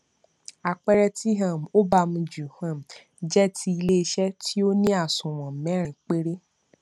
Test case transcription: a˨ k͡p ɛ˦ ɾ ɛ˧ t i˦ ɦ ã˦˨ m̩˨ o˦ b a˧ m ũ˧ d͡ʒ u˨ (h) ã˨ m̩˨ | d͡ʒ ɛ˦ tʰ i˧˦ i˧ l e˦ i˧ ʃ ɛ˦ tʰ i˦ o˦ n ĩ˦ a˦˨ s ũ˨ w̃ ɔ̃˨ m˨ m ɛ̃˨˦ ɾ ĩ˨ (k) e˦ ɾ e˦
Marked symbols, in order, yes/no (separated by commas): yes, no